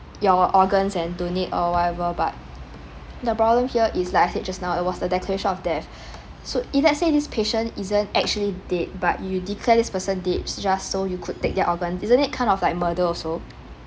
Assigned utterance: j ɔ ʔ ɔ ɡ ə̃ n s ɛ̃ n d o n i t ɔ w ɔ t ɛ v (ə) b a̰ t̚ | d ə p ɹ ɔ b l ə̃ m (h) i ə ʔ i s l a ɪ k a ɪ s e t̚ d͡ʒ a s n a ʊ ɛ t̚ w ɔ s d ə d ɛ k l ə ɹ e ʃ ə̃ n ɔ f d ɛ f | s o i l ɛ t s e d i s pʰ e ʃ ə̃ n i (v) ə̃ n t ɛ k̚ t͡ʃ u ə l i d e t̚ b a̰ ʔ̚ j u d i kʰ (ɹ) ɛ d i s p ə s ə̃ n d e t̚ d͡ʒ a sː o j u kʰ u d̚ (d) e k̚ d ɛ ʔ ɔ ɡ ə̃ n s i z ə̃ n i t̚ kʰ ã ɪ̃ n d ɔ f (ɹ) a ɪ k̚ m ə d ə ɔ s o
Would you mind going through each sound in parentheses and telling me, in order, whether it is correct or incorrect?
correct, correct, incorrect: z, incorrect: l, incorrect: t, incorrect: l

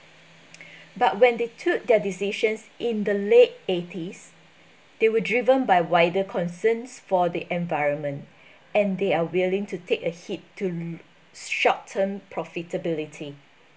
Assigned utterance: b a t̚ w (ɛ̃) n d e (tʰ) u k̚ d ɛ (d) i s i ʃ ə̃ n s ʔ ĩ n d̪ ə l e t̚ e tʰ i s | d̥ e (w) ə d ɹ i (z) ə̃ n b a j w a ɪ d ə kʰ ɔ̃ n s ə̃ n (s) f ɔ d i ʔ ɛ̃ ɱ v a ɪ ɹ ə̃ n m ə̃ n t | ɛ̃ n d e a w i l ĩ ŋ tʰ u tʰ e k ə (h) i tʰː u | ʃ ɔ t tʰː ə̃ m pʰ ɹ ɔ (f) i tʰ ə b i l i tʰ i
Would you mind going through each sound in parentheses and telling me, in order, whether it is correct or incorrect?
correct, correct, correct, correct, incorrect: v, correct, correct, correct

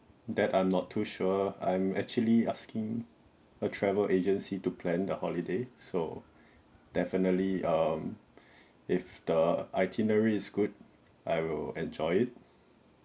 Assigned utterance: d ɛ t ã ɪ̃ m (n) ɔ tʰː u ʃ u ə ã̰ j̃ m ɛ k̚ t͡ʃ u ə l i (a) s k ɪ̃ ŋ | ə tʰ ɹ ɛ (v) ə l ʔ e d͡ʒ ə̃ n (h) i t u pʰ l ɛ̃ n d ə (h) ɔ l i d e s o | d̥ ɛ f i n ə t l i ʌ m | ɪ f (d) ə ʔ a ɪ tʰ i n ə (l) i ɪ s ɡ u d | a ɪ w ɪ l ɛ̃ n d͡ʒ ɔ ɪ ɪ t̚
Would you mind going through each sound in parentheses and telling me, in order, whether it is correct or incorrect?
correct, correct, correct, incorrect: s, correct, correct, incorrect: ɹ

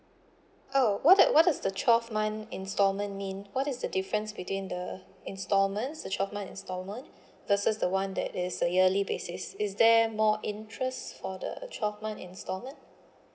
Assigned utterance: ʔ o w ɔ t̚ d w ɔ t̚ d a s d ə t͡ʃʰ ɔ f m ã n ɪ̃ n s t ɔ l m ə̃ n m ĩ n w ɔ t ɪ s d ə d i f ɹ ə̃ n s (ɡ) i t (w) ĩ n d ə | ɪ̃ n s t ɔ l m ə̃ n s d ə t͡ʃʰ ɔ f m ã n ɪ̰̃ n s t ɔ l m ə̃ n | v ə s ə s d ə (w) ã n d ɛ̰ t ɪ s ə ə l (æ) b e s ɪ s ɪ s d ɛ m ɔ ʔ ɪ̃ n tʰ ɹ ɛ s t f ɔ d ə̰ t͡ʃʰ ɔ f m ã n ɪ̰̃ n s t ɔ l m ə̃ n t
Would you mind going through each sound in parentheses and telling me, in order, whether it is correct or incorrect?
incorrect: b, correct, correct, incorrect: i

